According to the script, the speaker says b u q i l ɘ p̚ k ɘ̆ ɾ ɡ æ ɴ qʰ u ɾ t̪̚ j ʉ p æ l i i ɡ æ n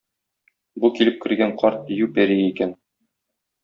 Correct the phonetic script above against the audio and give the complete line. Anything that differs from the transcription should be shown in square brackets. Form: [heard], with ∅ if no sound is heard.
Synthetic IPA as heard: b u [k] i l ɘ p̚ k ɘ̆ ɾ ɡ æ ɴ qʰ [ɒ] ɾ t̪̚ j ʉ p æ [ɾ] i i [k] æ n